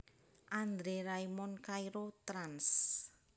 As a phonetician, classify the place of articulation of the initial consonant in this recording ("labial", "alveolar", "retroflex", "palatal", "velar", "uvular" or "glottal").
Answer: glottal